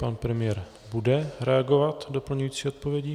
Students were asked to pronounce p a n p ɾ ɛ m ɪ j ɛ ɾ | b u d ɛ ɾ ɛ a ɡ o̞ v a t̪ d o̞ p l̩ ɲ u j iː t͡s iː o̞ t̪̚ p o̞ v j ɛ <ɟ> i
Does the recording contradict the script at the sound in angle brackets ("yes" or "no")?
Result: no